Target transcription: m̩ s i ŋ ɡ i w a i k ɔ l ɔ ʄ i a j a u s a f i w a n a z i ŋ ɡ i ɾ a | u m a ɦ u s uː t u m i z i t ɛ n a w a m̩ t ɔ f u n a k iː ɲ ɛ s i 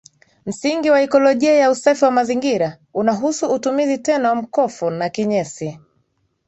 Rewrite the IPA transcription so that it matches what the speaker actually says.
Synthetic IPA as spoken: m̩ s i ŋ ɡ i w a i k ɔ l ɔ ʄ i a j a u s a f i w a m a z i ŋ ɡ i ɾ a | u n a ɦ u s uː t u m i z i t ɛ n a w a m̩ k ɔ f u n a k i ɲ ɛ s i

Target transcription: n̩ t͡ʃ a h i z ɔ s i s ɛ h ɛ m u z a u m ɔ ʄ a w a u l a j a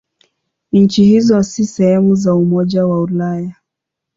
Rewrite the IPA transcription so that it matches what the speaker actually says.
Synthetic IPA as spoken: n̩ t͡ʃ i h i z ɔ s i s ɛ h ɛ m u z a u m ɔ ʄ a w a u l a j a

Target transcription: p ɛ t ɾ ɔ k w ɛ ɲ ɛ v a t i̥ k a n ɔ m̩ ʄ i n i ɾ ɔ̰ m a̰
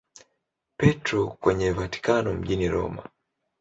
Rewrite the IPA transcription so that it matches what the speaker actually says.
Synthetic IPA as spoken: p ɛ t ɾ ɔ k w ɛ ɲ ɛ v a t i̥ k a n ɔ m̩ ʄ i n i ɾ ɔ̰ m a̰

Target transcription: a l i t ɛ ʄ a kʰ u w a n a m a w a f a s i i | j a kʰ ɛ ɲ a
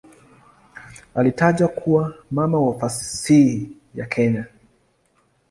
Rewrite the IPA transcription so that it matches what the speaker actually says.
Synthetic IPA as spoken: a l i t a ʄ a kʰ u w a m a m a w a f a s i i | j a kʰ ɛ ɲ a

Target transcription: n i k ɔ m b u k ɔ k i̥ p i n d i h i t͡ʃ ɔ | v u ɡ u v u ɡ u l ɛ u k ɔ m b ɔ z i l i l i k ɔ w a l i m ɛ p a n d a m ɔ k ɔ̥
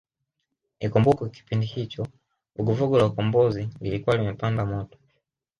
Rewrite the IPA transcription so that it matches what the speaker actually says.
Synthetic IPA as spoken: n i k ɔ m b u k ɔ k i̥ p i n d i h i t͡ʃ ɔ | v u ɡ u v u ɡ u l a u k ɔ m b ɔ z i l i l i k u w a l i m ɛ p a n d a m ɔ t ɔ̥

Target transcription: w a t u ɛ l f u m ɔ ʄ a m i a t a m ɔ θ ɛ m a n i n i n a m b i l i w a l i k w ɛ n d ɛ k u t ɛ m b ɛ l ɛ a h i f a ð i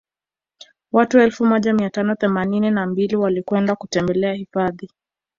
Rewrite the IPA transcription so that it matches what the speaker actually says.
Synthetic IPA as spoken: w a t u ɛ l f u m ɔ ʄ a m i a t a n ɔ θ ɛ m a n i n i n a m b i l i w a l i k w ɛ n d a k u t ɛ m b ɛ l ɛ a h i f a ð i

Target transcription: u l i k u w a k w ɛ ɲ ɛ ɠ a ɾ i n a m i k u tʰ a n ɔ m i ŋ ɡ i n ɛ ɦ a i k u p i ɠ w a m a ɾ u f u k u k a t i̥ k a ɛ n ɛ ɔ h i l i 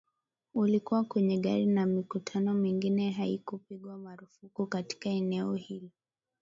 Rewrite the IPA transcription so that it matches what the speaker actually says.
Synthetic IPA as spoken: u l i k u w a k w ɛ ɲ ɛ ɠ a ɾ i n a m i k u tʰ a n ɔ m i ŋ ɡ i n ɛ ɦ a i k u p i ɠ w a m a ɾ u f u k u k a t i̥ k a ɛ n ɛ ɔ h i l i

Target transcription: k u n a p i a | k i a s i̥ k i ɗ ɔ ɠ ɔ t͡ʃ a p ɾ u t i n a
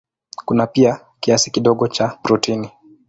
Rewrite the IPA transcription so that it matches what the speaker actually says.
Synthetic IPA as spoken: k u n a p i a | k i a s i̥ k i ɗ ɔ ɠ ɔ t͡ʃ a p ɾ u t i n i

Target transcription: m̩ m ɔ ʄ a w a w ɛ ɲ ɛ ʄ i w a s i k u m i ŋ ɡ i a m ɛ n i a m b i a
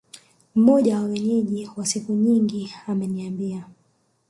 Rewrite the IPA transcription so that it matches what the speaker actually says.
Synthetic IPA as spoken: m̩ m ɔ ʄ a w a w ɛ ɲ ɛ ʄ i w a s i k u ɲ i ŋ ɡ i a m ɛ n i a m b i a

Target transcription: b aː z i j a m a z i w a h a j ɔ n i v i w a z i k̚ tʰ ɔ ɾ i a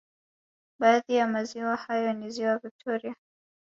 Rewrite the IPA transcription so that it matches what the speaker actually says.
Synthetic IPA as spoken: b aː ð i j a m a z i w a h a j ɔ n i z i w a v i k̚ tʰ ɔ ɾ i a

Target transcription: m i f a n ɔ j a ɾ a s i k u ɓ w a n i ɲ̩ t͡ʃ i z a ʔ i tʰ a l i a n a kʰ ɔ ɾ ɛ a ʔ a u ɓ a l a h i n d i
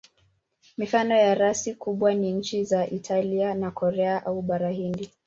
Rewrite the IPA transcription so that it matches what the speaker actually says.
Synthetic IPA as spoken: m i f a n ɔ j a ɾ a s i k u ɓ w a n i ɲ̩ t͡ʃ i z a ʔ i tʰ a l i a n a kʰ ɔ ɾ ɛ a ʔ a u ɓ a ɾ a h i n d i

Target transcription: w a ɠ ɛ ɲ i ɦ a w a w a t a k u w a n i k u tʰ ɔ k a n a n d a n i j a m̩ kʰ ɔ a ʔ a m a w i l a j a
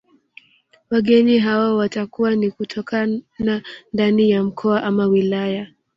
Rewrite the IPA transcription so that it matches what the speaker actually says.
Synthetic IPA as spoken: w a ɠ ɛ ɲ i ɦ a w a w a t a k u w a n i k u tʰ ɔ k a n a n d a n i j a m̩ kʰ ɔ a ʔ a m a w i l a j a

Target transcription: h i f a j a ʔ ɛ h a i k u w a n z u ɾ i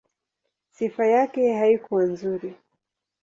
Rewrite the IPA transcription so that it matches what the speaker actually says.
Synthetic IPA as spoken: s i f a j a k ɛ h a i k u w a n z u ɾ i

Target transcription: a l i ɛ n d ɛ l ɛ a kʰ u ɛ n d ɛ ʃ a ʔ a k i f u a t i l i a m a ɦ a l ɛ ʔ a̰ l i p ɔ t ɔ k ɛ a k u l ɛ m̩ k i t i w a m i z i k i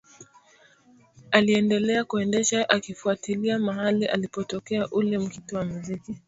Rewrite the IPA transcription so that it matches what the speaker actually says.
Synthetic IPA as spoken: a l i ɛ n d ɛ l ɛ a k u ɛ n d ɛ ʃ a ʔ a k i f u a t i l i a m a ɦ a l i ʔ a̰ l i p ɔ t ɔ k ɛ a ʔ u l ɛ m̩ k i t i w a m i z i k i

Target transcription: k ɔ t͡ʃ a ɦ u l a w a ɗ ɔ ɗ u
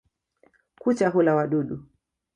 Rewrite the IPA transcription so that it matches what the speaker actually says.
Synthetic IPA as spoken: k u t͡ʃ a ɦ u l a w a ɗ u ɗ u

